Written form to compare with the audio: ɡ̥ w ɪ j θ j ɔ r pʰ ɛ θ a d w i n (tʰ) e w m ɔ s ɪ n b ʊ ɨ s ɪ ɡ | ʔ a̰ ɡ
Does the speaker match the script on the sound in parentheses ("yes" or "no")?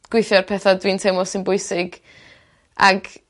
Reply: yes